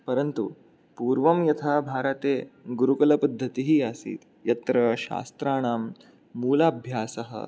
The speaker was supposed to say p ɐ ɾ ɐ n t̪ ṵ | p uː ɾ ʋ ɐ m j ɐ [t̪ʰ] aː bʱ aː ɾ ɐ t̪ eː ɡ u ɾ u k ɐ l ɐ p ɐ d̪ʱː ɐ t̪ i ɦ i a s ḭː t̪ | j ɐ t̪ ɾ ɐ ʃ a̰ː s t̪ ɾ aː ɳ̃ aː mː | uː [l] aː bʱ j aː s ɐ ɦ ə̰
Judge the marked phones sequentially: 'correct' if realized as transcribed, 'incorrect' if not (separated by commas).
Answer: correct, correct